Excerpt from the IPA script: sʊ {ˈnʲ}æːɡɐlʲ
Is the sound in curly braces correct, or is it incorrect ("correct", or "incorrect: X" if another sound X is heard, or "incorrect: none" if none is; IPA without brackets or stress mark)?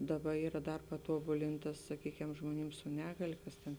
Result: correct